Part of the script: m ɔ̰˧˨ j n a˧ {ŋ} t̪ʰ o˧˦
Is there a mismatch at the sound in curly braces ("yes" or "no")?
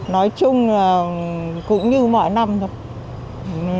yes